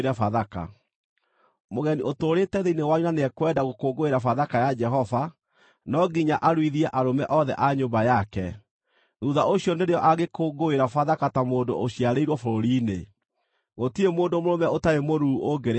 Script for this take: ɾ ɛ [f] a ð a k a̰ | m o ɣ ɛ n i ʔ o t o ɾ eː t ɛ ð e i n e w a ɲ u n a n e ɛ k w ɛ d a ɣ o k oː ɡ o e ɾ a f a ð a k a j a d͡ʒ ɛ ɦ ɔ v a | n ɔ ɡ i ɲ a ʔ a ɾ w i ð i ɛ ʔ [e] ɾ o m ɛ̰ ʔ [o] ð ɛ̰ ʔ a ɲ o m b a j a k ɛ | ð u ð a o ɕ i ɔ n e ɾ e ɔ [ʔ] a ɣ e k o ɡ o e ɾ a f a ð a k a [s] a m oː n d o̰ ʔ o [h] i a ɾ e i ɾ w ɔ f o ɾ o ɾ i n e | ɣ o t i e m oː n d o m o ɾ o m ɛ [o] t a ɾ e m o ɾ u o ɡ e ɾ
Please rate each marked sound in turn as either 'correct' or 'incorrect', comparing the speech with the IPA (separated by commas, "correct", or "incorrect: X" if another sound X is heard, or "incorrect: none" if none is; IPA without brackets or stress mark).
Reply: correct, incorrect: a, incorrect: ɔ, correct, incorrect: t, incorrect: ɕ, correct